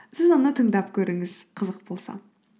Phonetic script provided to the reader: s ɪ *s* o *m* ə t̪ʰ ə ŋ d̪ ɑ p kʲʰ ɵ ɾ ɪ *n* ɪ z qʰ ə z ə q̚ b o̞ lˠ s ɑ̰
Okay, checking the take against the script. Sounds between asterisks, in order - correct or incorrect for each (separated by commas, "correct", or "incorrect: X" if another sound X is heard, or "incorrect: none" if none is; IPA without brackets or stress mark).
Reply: incorrect: z, incorrect: n, incorrect: ŋ